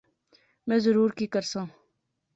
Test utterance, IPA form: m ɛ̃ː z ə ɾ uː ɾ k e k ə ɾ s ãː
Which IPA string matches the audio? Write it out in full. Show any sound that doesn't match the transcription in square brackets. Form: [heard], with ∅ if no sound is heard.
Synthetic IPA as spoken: m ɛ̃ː z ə ɾ uː ɾ k [i] k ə ɾ s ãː